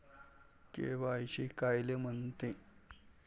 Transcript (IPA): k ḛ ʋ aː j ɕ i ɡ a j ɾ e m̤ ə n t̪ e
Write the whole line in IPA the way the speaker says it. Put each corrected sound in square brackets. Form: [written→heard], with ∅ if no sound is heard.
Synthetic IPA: k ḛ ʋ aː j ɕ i [ɡ→k] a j [ɾ→l] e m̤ ə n t̪ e